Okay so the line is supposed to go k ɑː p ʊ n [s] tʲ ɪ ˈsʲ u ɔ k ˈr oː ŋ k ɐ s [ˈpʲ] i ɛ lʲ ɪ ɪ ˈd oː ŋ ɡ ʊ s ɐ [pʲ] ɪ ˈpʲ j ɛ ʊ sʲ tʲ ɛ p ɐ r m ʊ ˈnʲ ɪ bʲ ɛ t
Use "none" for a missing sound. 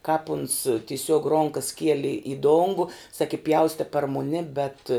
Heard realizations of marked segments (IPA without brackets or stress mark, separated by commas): s, kʲ, kʲ